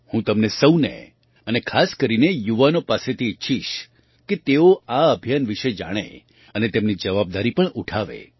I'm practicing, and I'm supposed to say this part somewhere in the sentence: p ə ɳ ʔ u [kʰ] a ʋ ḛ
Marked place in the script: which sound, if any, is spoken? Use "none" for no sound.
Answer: ʈʰ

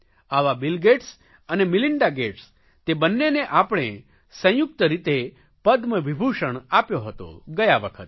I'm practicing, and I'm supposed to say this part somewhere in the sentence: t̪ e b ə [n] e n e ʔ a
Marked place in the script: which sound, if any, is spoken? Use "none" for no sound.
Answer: nː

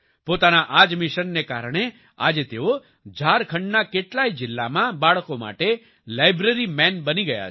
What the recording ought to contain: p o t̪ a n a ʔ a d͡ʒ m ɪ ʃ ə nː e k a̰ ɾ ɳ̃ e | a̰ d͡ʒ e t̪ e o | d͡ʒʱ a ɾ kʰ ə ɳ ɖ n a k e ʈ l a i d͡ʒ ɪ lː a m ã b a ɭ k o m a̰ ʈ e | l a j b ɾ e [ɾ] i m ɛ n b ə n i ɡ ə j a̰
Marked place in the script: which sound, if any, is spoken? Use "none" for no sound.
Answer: ɾ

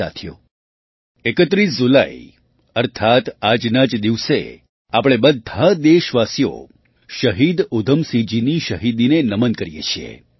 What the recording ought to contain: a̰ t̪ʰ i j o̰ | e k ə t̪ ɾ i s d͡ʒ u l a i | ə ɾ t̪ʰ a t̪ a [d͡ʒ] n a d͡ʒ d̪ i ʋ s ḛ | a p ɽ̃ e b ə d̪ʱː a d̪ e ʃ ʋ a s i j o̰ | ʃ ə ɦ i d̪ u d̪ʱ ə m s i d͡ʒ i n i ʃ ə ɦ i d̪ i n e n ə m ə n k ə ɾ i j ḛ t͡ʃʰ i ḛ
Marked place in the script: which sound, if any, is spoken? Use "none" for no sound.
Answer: d͡ʒ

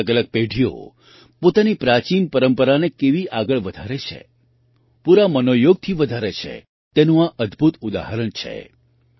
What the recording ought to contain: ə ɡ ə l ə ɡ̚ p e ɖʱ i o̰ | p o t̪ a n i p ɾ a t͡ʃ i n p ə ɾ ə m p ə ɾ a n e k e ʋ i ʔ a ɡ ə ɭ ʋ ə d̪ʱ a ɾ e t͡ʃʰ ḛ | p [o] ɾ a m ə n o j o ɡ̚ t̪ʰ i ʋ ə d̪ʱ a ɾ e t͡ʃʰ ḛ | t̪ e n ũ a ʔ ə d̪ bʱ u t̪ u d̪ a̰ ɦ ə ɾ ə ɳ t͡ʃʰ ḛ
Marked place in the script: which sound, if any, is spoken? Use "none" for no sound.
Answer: u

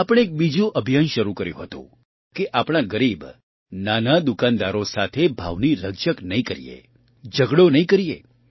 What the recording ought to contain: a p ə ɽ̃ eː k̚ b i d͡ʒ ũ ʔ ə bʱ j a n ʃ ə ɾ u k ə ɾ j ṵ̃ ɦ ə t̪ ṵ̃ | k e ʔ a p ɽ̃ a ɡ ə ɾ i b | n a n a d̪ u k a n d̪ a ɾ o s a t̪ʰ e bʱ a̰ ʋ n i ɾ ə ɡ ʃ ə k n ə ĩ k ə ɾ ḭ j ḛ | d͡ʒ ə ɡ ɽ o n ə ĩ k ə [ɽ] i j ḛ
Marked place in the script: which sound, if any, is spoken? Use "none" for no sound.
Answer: ɾ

